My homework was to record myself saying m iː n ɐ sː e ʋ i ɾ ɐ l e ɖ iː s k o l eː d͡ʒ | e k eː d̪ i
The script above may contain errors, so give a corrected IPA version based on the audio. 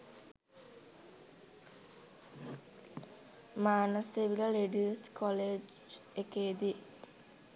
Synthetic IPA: m aː n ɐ s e ʋ i l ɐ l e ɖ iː s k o l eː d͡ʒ | e k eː d̪ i